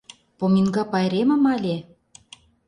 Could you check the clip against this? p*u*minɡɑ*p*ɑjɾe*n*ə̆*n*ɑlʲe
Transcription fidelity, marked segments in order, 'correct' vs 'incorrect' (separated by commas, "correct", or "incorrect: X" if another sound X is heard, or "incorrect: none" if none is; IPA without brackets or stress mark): incorrect: o, correct, incorrect: m, incorrect: m